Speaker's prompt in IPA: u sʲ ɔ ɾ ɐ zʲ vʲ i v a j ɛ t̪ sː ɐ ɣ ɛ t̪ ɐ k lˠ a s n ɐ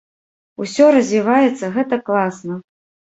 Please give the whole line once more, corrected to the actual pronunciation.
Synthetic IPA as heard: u sʲ ɔ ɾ ɐ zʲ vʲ i v a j ɛ t̪ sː ɐ ɣ ɛ t̪ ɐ k lˠ a s n ɐ